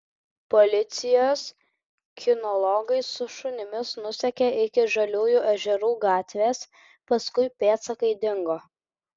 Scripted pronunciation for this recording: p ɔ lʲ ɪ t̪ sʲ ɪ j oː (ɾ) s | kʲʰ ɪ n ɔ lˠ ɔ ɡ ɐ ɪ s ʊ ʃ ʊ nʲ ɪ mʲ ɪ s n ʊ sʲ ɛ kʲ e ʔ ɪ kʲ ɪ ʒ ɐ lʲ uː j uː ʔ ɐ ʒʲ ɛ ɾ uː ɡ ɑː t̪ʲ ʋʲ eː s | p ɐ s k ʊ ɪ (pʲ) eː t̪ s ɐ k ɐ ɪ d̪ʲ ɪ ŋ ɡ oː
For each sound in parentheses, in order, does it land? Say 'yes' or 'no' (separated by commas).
no, yes